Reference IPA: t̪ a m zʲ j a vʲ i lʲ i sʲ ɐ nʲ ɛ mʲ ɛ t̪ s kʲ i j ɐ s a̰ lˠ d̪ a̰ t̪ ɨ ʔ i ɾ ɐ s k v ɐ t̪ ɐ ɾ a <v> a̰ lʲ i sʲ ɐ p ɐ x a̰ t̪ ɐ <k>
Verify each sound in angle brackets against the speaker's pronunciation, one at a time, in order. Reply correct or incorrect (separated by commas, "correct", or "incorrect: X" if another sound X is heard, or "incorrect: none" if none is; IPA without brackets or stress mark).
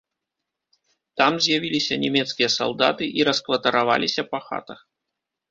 correct, incorrect: x